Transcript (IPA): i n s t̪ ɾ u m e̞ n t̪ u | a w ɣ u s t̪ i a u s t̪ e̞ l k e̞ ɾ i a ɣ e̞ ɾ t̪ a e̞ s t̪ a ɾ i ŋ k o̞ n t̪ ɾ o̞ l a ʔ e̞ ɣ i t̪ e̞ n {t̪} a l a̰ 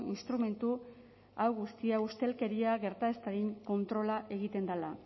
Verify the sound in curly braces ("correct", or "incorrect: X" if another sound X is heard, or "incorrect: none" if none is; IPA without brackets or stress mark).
incorrect: d̪